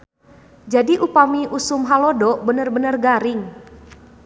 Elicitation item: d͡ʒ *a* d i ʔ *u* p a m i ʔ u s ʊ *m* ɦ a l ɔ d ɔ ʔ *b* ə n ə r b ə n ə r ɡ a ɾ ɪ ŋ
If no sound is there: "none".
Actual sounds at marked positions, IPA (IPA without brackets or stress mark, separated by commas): a, u, m, b